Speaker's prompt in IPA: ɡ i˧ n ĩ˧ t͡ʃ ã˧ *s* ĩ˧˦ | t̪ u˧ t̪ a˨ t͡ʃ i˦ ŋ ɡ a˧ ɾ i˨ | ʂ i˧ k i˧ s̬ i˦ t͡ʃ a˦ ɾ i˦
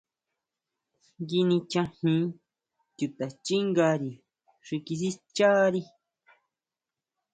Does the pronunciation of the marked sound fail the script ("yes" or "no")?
yes